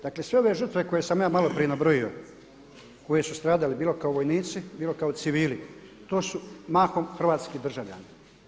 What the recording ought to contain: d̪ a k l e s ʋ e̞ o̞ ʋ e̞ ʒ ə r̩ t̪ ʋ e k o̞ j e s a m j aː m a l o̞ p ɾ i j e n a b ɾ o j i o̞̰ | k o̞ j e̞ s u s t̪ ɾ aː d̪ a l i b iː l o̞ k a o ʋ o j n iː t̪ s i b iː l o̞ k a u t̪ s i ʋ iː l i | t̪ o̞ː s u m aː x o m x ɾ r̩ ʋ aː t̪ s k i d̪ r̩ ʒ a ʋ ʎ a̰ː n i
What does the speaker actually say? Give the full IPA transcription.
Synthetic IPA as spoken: d̪ a k l e s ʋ e̞ o̞ ʋ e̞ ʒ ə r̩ t̪ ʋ e k o̞ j e s a m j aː m a l o̞ p ɾ i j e n a b ɾ o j i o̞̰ | k o̞ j e̞ s u s t̪ ɾ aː d̪ a l i b iː l o̞ k a o ʋ o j n iː t̪ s i b iː l o̞ k a o t̪ s i ʋ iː l i | t̪ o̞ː s u m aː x o m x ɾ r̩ ʋ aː t̪ s k i d̪ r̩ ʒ a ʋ ʎ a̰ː n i